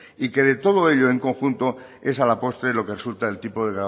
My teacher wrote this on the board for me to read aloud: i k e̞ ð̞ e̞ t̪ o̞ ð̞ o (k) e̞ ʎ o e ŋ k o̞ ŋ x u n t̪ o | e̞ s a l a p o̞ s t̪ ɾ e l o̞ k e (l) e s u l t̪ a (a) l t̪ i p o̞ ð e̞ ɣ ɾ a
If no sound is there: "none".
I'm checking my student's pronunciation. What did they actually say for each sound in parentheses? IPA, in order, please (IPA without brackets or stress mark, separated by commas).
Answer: none, r, e